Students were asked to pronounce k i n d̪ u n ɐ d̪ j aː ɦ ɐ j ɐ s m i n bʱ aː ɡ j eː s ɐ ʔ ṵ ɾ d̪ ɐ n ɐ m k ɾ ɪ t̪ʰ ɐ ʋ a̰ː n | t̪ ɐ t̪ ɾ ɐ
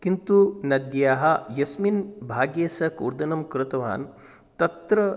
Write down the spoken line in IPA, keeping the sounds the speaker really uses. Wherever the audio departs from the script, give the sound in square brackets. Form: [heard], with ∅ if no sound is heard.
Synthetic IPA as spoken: k i n [t̪] u n ɐ d̪ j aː ɦ ɐ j ɐ s m i n bʱ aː ɡ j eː s ɐ [k] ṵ ɾ d̪ ɐ n ɐ m k ɾ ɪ [t̪] ɐ ʋ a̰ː n | t̪ ɐ t̪ ɾ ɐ